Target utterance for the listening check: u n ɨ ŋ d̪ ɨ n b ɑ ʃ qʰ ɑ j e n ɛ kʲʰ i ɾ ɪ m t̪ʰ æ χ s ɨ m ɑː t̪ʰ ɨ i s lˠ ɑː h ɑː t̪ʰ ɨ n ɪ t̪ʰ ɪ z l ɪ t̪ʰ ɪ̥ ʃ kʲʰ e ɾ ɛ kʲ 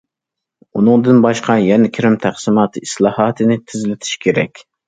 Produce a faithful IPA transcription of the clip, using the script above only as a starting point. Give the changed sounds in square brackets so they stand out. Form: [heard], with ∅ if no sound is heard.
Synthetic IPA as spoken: u n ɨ ŋ d̪ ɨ n b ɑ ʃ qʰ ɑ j [ɛ] n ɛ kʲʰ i ɾ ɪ m t̪ʰ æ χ s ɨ m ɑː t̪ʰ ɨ i s lˠ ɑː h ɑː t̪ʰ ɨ n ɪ t̪ʰ ɪ z l ɪ t̪ʰ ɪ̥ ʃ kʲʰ e ɾ ɛ kʲ